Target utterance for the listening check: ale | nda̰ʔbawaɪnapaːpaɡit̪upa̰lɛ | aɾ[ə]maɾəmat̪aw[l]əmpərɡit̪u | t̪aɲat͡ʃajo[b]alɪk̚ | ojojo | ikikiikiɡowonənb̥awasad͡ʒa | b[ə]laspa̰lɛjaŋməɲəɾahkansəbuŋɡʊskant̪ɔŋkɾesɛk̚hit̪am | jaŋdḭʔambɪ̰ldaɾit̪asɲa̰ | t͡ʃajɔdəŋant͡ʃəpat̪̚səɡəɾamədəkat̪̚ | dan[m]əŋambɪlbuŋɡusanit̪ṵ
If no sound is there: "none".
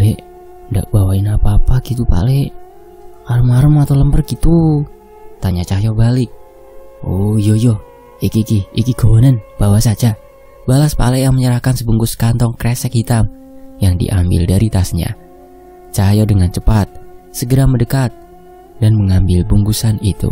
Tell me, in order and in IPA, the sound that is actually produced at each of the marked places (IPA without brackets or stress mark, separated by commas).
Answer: ə, l, b, a, m